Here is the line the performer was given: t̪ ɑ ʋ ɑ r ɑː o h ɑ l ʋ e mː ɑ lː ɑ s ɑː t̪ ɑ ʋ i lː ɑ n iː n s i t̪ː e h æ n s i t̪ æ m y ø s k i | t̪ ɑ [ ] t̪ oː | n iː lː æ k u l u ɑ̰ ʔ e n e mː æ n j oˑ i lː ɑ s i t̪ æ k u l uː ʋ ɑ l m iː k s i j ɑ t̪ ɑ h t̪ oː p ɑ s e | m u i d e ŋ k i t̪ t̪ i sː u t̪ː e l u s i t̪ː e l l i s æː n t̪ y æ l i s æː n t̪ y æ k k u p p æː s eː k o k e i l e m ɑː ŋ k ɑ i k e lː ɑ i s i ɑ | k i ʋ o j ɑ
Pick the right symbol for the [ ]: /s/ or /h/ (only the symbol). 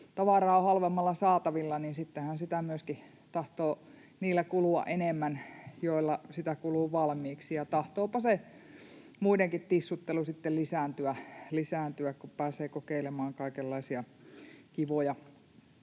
h